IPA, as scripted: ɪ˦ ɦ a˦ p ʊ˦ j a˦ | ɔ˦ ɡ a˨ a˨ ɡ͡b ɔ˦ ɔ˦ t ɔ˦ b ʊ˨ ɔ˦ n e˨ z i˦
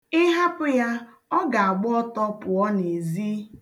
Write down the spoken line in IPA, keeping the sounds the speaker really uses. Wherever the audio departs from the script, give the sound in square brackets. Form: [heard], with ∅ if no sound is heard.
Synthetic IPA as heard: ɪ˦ ɦ a˦ p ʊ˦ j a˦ | ɔ˦ ɡ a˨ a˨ ɡ͡b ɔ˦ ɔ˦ t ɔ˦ [p] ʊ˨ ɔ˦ n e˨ z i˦